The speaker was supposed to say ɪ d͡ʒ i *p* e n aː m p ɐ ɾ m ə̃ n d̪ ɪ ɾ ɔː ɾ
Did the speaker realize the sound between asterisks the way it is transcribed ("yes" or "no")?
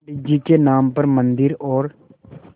no